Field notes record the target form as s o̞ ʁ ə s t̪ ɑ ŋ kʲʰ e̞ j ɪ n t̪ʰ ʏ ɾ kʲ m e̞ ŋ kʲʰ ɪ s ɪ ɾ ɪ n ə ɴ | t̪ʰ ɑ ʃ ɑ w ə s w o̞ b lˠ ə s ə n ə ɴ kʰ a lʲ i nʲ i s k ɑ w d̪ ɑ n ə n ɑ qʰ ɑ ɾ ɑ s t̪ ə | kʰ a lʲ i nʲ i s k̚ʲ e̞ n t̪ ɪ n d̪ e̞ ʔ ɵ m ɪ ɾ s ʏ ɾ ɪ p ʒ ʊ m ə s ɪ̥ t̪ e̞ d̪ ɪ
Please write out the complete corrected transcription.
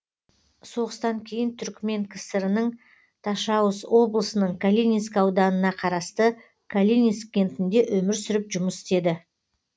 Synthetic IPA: s o̞ ʁ ə s t̪ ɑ ŋ kʲʰ e̞ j ɪ n t̪ʰ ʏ ɾ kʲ m e̞ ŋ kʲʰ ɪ s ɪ ɾ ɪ n ə ɴ | t̪ʰ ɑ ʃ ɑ w ə s w o̞ b lˠ ə s ə n ə ɴ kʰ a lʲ i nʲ i s k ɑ w d̪ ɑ n ə n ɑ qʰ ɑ ɾ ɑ s t̪ ə | kʰ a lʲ i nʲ i s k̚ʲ e̞ n t̪ ɪ n d̪ e̞ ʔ ɵ m ɪ ɾ s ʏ ɾ ɪ p ʒ ʊ m ə s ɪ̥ t̪ e̞ d̪ ɪ